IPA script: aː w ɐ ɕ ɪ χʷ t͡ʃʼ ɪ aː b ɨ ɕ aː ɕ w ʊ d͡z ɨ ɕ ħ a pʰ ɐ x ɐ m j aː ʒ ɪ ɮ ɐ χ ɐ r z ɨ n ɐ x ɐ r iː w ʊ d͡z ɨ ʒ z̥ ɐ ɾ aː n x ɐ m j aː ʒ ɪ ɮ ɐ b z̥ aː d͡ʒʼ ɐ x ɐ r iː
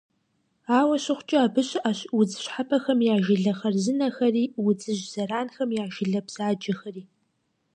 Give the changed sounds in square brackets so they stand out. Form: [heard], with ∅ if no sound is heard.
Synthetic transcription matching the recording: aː w ɐ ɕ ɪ χʷ t͡ʃʼ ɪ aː b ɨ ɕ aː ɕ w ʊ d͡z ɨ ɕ ħ a pʰ ɐ x ɐ m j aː ʒ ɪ ɮ ɐ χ ɐ r z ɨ n ɐ x ɐ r iː w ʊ d͡z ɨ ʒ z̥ ɐ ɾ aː n x ɐ m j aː ʒ ɪ ɮ ɐ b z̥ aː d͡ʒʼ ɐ x ɐ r iː